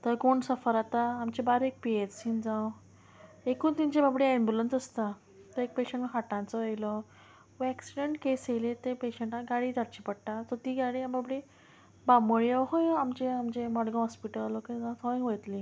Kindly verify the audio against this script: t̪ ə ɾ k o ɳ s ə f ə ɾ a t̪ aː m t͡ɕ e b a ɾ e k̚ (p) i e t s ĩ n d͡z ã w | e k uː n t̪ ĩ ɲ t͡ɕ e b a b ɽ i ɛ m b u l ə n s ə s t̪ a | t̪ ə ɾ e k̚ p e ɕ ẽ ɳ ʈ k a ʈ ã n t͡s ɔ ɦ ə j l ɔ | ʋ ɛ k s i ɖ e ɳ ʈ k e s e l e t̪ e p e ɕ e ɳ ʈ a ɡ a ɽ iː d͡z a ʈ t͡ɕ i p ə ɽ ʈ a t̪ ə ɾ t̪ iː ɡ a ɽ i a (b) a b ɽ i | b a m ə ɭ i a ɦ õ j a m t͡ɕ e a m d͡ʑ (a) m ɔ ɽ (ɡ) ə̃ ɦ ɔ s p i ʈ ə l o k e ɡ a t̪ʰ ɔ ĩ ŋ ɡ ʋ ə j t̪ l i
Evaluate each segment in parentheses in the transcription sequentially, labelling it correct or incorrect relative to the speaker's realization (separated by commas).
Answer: correct, correct, incorrect, correct